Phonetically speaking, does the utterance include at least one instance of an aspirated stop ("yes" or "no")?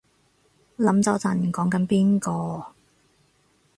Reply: no